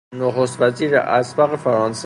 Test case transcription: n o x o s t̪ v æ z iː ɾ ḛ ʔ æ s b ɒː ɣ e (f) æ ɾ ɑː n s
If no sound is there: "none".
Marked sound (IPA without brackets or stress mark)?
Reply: f